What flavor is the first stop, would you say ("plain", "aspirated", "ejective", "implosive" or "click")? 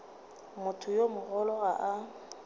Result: aspirated